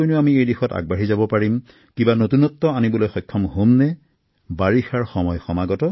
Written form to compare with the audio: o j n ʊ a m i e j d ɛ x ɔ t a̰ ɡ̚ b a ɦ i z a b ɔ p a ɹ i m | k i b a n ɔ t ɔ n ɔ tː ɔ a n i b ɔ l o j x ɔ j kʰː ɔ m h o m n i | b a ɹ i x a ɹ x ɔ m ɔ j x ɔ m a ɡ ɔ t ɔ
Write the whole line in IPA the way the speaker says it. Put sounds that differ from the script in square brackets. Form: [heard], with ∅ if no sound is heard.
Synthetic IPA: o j n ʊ a m i e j d [i] x ɔ t a̰ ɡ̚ b a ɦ i z a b ɔ p a ɹ i m | k i b a n [o] t [u] n ɔ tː ɔ a n i b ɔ l o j x ɔ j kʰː ɔ m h o m n [ɛ] | b a ɹ i x a ɹ x ɔ m ɔ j x ɔ m a ɡ ɔ t ɔ